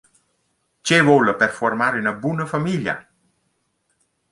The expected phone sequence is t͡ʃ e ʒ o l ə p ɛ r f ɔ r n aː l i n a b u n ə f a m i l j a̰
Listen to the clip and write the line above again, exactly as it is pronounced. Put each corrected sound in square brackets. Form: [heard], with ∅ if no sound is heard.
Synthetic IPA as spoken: t͡ʃ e [v] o l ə p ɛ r f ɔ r [m] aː [ɾ] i n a b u n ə f a m i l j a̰